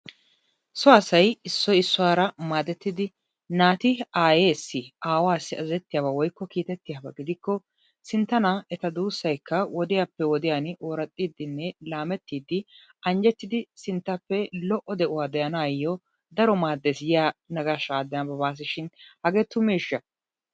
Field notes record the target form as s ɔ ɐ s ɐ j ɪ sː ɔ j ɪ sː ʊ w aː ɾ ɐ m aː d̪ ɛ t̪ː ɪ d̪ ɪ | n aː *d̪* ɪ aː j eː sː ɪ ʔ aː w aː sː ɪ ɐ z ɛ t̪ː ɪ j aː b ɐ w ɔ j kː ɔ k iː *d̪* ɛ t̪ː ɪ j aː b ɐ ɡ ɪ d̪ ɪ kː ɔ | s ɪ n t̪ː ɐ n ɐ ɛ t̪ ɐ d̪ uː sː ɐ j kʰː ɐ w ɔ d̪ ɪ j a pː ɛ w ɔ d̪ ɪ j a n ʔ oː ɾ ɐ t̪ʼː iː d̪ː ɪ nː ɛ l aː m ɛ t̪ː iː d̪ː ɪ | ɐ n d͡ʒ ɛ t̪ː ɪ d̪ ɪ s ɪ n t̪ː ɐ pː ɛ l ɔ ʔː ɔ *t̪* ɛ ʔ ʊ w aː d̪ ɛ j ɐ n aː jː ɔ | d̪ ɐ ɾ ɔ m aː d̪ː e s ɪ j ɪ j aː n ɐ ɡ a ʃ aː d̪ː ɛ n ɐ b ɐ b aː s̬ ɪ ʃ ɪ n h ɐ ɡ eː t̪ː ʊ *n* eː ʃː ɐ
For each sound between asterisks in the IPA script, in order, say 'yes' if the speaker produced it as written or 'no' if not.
no, no, no, no

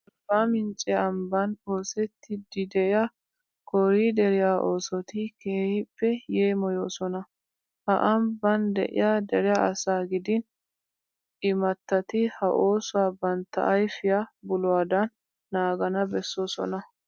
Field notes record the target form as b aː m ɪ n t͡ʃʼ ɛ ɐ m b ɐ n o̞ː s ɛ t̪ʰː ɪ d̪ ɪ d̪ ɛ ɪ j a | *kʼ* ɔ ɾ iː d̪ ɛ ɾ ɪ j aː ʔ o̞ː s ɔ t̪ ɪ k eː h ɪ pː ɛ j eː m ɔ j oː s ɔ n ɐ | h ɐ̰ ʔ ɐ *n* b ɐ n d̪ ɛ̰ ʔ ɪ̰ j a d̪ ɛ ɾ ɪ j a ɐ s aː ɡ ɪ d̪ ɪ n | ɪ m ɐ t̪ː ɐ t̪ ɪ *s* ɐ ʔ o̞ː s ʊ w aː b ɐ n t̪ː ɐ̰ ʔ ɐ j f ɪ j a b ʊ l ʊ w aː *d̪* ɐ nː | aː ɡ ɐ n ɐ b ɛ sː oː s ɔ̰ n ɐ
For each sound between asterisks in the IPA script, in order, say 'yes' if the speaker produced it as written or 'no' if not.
no, no, no, yes

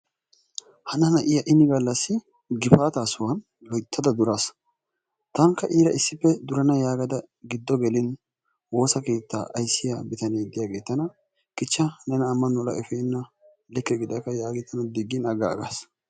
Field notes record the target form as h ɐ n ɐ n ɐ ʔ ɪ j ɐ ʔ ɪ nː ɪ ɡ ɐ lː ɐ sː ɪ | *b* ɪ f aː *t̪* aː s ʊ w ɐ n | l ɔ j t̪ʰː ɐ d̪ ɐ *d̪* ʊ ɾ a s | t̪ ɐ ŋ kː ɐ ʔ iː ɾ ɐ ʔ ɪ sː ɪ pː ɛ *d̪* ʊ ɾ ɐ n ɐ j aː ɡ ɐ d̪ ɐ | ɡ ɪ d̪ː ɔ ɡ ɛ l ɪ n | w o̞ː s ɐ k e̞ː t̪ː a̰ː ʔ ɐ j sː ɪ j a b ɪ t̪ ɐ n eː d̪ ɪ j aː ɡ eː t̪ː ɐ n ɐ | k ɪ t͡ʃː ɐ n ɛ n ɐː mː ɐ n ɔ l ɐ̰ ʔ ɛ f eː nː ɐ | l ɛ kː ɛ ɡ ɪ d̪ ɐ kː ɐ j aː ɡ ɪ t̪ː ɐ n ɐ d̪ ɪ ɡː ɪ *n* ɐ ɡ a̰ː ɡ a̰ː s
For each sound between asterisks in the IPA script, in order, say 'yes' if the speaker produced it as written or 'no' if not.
no, yes, yes, yes, yes

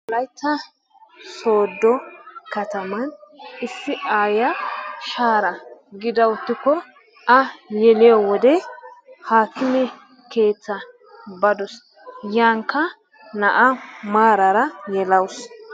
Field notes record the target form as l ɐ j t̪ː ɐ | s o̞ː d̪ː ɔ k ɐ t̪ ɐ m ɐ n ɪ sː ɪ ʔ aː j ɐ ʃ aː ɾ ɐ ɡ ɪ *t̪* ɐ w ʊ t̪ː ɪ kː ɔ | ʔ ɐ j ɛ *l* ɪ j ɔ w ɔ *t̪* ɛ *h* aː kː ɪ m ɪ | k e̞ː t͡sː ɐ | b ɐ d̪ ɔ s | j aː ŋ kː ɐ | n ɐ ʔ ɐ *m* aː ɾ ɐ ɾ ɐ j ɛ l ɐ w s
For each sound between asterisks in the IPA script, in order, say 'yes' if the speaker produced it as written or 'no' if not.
no, yes, no, yes, yes

